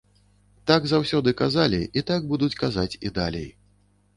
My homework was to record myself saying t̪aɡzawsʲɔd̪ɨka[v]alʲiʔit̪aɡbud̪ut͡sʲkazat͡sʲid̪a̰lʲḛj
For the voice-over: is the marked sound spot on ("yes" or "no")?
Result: no